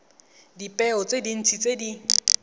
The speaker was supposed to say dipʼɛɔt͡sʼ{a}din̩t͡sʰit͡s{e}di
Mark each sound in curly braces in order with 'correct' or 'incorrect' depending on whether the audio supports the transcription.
incorrect: e, correct

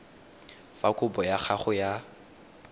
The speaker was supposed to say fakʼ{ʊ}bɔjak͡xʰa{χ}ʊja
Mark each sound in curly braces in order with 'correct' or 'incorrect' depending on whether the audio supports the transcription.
correct, correct

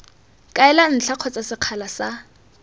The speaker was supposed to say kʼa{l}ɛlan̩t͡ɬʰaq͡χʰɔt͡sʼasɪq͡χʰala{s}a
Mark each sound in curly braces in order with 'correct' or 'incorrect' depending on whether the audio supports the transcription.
incorrect: none, correct

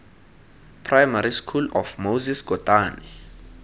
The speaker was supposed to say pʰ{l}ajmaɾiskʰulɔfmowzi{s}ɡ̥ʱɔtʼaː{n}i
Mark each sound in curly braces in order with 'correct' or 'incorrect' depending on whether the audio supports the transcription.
incorrect: r, correct, correct

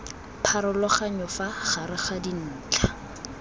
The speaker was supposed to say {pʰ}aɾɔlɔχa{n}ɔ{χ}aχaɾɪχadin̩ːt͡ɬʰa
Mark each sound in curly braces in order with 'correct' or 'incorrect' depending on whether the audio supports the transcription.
correct, incorrect: ɲ, incorrect: f

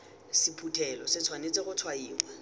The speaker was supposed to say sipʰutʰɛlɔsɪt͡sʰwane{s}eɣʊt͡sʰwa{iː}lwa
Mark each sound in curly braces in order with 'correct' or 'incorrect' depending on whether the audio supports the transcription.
incorrect: t͡s, correct

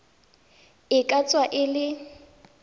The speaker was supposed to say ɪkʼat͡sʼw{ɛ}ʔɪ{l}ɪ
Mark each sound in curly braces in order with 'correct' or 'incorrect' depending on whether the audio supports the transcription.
incorrect: a, correct

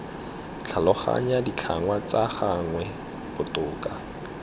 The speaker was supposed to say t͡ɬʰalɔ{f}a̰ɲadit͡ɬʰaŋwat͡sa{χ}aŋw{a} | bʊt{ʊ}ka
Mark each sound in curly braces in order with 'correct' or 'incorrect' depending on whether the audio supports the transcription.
incorrect: χ, correct, incorrect: ɛ, incorrect: ʊː

